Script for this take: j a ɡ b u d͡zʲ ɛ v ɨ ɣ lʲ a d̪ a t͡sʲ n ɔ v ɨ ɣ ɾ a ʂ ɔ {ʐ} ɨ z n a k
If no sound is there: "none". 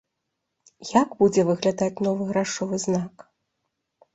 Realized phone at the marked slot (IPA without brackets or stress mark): v